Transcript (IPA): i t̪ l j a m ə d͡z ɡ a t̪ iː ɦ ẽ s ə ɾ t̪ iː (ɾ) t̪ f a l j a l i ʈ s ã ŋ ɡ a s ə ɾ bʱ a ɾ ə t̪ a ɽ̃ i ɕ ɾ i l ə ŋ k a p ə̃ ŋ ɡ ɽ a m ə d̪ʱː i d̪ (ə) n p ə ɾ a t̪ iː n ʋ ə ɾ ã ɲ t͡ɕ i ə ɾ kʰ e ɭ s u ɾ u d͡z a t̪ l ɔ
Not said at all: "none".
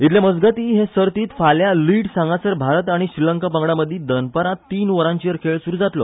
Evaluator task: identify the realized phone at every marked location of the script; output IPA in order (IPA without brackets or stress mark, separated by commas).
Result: none, ə